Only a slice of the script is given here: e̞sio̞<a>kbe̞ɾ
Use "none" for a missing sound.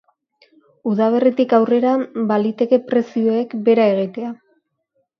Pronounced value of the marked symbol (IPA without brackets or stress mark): e